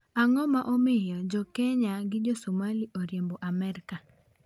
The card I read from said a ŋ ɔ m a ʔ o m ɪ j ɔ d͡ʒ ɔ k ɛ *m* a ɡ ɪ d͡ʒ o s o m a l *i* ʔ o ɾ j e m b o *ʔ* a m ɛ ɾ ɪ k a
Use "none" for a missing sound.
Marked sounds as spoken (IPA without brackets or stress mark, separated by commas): ɲ, i, ʔ